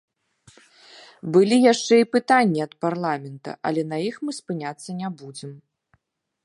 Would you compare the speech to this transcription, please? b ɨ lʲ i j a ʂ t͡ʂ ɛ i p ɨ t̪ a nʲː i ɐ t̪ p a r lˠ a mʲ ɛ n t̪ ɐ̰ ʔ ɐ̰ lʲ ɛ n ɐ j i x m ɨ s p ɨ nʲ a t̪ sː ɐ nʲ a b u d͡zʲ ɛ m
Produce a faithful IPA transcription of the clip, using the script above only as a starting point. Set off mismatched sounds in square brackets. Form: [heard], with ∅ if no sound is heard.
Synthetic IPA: b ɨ lʲ i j a ʂ t͡ʂ ɛ i p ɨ t̪ a nʲː i ɐ t̪ p a r lˠ a mʲ ɛ n t̪ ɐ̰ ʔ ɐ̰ lʲ ɛ n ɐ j i x m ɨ s p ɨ nʲ a t̪ sː ɐ nʲ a b u d͡zʲ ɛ m

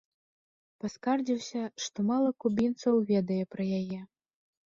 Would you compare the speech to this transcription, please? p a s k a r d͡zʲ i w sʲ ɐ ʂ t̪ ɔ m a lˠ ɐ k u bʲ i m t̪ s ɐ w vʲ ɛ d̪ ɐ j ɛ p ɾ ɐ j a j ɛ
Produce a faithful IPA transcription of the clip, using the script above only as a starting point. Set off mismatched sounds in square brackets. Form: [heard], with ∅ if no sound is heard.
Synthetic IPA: p a s k a r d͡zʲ i w sʲ ɐ ʂ t̪ ɔ m a lˠ ɐ k u bʲ i [n] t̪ s ɐ w vʲ ɛ d̪ ɐ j ɛ p ɾ ɐ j a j ɛ

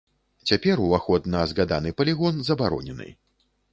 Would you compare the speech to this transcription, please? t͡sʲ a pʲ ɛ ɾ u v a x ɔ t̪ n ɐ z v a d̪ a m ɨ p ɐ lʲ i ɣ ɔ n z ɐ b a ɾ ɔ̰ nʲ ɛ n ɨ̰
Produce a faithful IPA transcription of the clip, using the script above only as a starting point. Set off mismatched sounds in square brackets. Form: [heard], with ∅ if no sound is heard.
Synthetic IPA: t͡sʲ a pʲ ɛ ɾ u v a x ɔ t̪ n ɐ z [ɣ] a d̪ a [n] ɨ p ɐ lʲ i ɣ ɔ n z ɐ b a ɾ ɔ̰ nʲ ɛ n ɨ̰

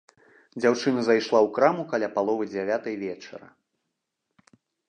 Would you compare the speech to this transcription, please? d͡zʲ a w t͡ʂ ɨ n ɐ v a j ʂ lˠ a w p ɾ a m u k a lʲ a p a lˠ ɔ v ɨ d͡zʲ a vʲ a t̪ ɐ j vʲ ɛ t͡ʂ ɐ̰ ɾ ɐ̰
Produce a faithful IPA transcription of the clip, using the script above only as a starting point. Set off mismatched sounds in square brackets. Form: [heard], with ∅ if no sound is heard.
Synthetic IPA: d͡zʲ a w t͡ʂ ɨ n ɐ [z] a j ʂ lˠ a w [k] ɾ a m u k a lʲ a p a lˠ ɔ v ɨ d͡zʲ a vʲ a t̪ ɐ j vʲ ɛ t͡ʂ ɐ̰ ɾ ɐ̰

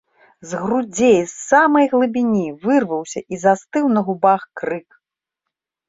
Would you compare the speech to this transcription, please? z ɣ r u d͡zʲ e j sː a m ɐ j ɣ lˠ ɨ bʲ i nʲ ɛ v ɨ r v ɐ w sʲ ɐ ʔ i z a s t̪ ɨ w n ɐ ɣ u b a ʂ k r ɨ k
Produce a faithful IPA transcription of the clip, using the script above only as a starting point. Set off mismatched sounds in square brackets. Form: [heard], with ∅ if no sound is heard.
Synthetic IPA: z ɣ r u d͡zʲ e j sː a m ɐ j ɣ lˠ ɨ bʲ i nʲ [i] v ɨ r v ɐ w sʲ ɐ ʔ i z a s t̪ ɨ w n ɐ ɣ u b a [x] k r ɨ k

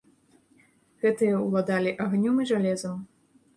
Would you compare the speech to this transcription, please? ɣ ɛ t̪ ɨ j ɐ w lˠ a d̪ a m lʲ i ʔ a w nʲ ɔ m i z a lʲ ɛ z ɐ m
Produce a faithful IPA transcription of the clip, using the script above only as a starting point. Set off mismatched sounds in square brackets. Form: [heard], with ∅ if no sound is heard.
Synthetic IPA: ɣ ɛ t̪ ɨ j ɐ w lˠ a d̪ a [∅] lʲ i ʔ a [ɣ] nʲ ɔ m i [ʐ] a lʲ ɛ z ɐ m

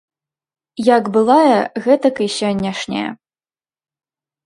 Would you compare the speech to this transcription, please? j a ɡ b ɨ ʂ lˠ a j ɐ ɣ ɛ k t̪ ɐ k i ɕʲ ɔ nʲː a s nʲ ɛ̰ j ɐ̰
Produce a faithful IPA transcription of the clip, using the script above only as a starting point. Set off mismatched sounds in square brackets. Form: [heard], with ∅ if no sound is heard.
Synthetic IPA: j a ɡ b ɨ [∅] lˠ a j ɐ ɣ ɛ [∅] t̪ ɐ k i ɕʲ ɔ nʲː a [ʂ] nʲ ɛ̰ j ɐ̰

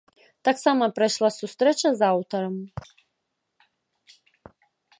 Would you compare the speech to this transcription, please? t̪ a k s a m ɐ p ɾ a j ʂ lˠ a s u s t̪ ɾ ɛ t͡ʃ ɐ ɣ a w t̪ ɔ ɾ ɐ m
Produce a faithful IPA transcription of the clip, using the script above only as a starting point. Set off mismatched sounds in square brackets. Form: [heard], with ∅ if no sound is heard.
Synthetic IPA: t̪ a k s a m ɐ p ɾ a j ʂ lˠ a s u s t̪ ɾ ɛ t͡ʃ ɐ [z] a w t̪ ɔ ɾ ɐ m

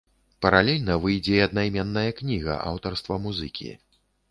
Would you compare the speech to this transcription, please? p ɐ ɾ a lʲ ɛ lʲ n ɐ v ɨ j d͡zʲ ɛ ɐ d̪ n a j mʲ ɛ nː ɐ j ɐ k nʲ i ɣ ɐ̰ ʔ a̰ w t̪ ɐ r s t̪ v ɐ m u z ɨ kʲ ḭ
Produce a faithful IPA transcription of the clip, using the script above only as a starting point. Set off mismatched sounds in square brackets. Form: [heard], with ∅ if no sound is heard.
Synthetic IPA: p ɐ ɾ a lʲ ɛ lʲ n ɐ v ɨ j d͡zʲ ɛ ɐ d̪ n a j mʲ ɛ nː ɐ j ɐ k nʲ i ɣ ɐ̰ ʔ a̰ w t̪ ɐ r s t̪ v ɐ m u z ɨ kʲ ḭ

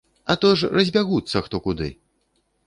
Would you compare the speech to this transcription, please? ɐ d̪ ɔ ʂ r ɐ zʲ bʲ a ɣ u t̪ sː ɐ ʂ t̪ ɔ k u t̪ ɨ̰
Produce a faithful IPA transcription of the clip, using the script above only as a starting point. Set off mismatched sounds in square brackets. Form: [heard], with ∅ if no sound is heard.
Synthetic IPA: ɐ [t̪] ɔ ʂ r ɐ zʲ bʲ a ɣ u t̪ sː ɐ [x] t̪ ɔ k u [d̪] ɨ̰

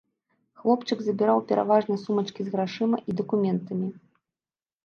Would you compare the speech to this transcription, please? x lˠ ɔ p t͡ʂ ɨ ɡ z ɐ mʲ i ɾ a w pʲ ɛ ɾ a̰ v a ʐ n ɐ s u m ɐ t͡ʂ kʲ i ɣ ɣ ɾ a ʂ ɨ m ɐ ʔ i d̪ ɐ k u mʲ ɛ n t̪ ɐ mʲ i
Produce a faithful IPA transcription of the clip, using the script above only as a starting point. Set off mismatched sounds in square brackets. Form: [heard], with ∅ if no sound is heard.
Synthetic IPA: x lˠ ɔ p t͡ʂ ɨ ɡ z ɐ [bʲ] i ɾ a w pʲ ɛ ɾ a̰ v a ʐ n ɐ s u m ɐ t͡ʂ kʲ i [z] ɣ ɾ a ʂ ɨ m ɐ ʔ i d̪ ɐ k u mʲ ɛ n t̪ ɐ mʲ i

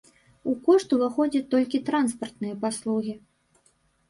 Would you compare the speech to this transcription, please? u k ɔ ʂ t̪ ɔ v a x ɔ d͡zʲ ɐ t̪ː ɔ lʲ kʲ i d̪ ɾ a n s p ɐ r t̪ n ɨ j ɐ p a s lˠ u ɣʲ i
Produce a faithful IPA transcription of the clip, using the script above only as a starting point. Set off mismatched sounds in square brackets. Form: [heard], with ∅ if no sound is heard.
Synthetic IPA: u k ɔ ʂ t̪ [u] v a x ɔ d͡zʲ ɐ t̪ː ɔ lʲ kʲ i [t̪] ɾ a n s p ɐ r t̪ n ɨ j ɐ p a s lˠ u ɣʲ i

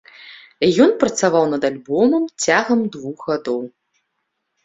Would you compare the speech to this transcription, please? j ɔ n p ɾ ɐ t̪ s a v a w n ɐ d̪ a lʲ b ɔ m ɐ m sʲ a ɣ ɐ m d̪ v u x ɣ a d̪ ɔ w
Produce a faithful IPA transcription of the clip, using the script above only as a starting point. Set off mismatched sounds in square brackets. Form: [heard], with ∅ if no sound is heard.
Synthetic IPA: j ɔ n p ɾ ɐ t̪ s a v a w n ɐ d̪ a lʲ b ɔ m ɐ m [t͡sʲ] a ɣ ɐ m d̪ v u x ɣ a d̪ ɔ w

